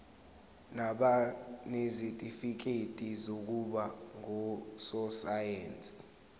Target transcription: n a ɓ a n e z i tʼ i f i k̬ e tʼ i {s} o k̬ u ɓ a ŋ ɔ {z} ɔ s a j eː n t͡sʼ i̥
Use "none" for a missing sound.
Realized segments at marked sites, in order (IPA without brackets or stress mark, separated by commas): z, s